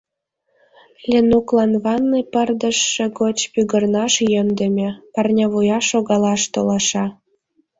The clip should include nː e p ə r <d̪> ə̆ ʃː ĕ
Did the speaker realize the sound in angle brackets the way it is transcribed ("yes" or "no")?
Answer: yes